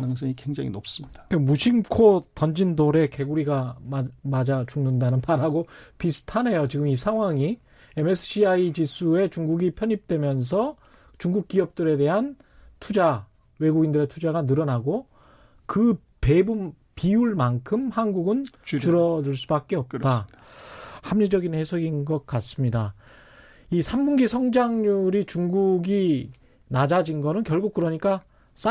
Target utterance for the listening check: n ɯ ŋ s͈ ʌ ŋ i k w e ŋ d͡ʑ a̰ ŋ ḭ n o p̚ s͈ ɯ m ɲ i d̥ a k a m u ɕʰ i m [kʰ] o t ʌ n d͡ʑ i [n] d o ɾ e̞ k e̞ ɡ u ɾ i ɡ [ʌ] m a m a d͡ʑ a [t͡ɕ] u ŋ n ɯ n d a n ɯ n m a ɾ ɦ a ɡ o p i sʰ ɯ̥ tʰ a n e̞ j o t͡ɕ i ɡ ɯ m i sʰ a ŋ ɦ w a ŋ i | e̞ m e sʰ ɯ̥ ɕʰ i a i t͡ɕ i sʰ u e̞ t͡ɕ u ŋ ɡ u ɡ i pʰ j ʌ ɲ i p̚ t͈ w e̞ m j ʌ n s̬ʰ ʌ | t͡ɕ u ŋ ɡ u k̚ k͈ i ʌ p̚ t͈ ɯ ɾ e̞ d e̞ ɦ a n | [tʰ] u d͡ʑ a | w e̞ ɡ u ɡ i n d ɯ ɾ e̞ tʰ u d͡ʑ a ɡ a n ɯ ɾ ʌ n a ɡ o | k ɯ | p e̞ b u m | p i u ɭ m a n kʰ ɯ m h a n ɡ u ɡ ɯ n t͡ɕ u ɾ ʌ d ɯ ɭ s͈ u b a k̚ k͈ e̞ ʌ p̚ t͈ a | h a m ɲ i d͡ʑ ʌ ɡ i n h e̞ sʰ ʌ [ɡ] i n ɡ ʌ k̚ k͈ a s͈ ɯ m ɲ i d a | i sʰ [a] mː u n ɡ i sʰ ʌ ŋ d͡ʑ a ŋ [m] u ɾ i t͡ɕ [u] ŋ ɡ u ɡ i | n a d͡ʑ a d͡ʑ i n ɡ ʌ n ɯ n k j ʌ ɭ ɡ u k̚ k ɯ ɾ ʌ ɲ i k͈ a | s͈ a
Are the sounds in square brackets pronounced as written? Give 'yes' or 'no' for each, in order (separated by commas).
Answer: yes, yes, no, yes, yes, yes, yes, no, yes